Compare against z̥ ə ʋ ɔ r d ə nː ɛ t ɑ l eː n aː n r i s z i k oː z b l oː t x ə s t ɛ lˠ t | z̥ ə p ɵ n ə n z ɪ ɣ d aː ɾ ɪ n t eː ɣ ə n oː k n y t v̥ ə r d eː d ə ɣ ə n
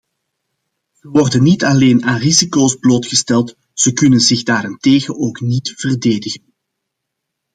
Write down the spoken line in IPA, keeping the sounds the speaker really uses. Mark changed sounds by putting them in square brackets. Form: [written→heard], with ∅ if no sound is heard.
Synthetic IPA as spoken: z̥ ə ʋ ɔ r d ə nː [ɛ→i] t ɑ l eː n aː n r i [s→∅] z i k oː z b l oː t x ə s t ɛ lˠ t | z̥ ə [p→k] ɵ n ə n z ɪ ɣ d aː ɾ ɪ n t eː ɣ ə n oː k n [y→i] t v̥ ə r d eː d ə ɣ ə n